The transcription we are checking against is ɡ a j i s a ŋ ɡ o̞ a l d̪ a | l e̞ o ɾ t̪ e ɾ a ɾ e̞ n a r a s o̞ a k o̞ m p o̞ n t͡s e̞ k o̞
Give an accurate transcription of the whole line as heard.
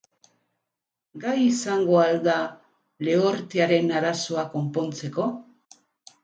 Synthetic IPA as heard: ɡ a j i s a ŋ ɡ o̞ a l d̪ a | l e̞ o ɾ t̪ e a ɾ e̞ n a ɾ a s o̞ a k o̞ m p o̞ n t͡s e̞ k o̞